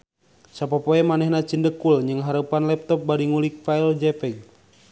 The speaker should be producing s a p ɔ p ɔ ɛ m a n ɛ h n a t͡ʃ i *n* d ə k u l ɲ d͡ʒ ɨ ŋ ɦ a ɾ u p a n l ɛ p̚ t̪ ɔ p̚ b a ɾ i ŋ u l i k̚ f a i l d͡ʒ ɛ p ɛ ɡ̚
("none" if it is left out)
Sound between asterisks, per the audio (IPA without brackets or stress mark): n